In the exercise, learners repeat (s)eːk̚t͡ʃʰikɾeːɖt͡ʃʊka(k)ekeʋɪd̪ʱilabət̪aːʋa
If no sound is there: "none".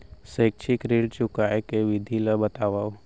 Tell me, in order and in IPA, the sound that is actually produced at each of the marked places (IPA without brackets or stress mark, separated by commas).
s, none